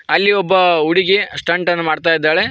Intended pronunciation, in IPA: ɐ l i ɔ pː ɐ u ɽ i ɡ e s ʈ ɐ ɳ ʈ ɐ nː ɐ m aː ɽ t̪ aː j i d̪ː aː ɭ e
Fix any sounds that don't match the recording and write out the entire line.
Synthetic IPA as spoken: ɐ lː i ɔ bː ɐ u ɽ i ɡ e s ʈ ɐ ɳ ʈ ɐ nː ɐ m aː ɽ t̪ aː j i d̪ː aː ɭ e